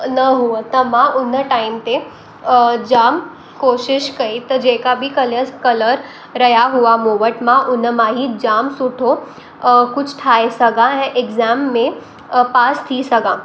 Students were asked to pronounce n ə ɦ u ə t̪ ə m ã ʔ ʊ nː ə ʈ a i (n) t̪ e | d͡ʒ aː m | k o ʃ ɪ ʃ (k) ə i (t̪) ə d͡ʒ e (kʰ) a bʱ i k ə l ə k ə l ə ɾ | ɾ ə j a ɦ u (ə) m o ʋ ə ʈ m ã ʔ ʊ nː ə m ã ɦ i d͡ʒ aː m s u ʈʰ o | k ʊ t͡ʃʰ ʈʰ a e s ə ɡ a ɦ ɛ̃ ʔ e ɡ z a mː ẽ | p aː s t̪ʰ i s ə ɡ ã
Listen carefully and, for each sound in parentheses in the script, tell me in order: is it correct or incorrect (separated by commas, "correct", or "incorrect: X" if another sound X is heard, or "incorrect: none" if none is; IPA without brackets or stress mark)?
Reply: incorrect: m, correct, correct, incorrect: k, incorrect: a